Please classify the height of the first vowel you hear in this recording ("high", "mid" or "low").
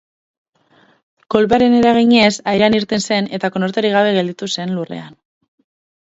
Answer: mid